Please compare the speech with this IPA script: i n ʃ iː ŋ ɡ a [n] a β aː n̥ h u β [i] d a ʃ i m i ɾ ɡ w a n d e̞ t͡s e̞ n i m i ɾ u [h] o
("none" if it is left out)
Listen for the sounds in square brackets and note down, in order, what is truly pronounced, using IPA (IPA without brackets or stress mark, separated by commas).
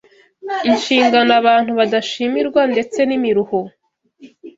n, a, h